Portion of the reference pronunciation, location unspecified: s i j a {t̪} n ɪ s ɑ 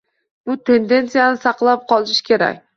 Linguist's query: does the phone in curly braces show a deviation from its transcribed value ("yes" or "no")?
yes